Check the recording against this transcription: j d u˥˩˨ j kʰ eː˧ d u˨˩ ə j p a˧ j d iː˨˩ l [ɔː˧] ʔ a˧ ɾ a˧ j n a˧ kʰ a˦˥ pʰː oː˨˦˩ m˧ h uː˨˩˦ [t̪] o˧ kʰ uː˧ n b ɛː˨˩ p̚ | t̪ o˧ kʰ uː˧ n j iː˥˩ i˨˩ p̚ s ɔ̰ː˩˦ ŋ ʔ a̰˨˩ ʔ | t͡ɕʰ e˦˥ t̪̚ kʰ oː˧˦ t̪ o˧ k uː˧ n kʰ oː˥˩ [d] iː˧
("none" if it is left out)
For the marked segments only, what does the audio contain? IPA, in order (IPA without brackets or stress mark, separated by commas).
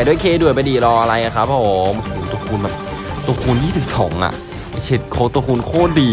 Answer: ɔː˧, t̪, d